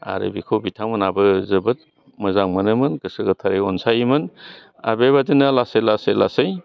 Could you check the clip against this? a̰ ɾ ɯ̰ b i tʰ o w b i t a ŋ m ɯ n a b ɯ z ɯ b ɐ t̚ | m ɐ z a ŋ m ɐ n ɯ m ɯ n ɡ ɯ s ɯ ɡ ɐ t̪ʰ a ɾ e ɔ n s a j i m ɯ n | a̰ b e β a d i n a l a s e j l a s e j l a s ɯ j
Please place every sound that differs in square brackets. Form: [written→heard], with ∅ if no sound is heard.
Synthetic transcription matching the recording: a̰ ɾ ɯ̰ b i [tʰ→kʰ] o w b i [t→tʰ] a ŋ m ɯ n a b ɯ z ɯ b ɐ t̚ | m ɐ z a ŋ m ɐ n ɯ m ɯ n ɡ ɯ s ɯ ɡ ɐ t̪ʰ a ɾ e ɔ n s a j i m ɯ n | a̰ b e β a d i n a l a s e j l a s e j l a s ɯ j